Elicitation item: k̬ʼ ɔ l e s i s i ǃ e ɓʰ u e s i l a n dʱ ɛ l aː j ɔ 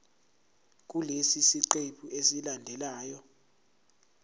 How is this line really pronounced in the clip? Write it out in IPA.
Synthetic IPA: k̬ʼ u l e s i s i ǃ e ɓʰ u e s i l a n dʱ ɛ l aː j ɔ